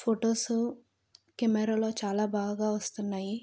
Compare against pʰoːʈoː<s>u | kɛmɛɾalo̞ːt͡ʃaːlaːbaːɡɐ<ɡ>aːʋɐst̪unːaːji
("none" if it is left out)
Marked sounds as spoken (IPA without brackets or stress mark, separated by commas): s, ɡ